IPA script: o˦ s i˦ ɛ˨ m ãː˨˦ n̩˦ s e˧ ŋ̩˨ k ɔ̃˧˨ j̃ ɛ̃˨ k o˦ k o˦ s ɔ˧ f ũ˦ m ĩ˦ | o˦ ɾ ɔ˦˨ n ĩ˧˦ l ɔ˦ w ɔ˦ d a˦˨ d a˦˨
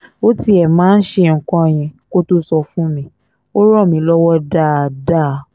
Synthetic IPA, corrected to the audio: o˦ t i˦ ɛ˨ m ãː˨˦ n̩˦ ʃ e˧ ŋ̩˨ k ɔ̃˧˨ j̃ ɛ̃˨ k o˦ t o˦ s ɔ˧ f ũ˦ m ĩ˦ | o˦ ɾ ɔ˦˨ m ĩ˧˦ l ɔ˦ w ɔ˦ d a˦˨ d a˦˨